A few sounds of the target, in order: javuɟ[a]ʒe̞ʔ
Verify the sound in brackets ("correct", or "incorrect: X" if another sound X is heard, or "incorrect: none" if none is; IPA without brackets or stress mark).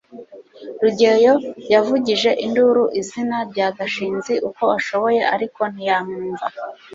incorrect: i